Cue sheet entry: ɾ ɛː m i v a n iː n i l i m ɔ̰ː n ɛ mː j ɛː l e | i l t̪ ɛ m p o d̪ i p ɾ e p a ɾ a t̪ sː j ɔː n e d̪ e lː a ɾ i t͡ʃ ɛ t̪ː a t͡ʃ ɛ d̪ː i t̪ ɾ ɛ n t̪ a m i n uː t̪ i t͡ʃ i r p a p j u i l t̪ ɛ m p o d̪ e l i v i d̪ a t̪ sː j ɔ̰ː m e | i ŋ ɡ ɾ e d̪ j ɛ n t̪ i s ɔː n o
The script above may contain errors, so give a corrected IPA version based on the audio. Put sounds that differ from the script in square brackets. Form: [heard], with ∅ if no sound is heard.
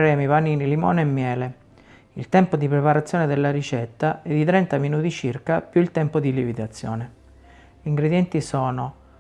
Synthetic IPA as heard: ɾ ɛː m i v a n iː n i l i m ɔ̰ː n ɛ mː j ɛː l e | i l t̪ ɛ m p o d̪ i p ɾ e p a ɾ a t̪ sː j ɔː n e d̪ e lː a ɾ i t͡ʃ ɛ t̪ː a [∅] ɛ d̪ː i t̪ ɾ ɛ n t̪ a m i n uː t̪ i t͡ʃ i r [k] a p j u i l t̪ ɛ m p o d̪ [i] l i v i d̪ a t̪ sː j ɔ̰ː [n] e | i ŋ ɡ ɾ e d̪ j ɛ n t̪ i s ɔː n o